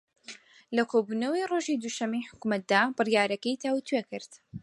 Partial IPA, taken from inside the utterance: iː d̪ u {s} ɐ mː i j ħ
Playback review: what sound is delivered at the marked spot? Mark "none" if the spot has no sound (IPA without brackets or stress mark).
ʃ